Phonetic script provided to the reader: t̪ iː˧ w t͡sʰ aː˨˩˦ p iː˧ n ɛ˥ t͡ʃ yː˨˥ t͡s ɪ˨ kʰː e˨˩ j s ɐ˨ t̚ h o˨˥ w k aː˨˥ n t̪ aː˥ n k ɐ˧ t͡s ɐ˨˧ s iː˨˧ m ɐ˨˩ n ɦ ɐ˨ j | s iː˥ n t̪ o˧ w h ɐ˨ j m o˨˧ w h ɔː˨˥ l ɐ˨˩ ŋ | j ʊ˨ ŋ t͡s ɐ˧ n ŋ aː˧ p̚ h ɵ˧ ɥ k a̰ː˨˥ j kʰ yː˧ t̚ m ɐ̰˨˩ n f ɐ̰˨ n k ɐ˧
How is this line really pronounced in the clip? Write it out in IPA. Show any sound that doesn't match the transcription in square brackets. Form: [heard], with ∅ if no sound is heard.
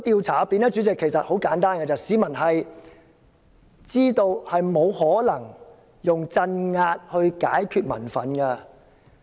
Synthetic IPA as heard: t̪ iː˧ w t͡sʰ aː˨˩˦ p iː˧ n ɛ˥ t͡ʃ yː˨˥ t͡s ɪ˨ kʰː e˨˩ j s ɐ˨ t̚ h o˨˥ w k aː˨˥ n t̪ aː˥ n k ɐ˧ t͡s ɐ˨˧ s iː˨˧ m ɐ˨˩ n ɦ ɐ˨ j | [t͡s] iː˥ [∅] t̪ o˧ w h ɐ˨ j m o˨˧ w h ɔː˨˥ l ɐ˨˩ ŋ | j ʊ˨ ŋ t͡s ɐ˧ n ŋ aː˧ [t̚] h ɵ˧ ɥ k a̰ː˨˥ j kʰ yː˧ t̚ m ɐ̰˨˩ n f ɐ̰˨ n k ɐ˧